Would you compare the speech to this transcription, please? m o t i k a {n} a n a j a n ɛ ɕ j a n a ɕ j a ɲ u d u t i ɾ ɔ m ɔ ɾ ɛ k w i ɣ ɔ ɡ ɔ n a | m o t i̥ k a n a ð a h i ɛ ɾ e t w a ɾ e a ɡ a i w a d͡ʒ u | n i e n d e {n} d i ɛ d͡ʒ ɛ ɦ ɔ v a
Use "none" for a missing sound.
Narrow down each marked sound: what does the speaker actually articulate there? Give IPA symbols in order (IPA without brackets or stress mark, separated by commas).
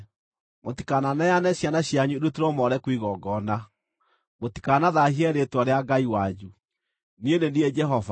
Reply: n, n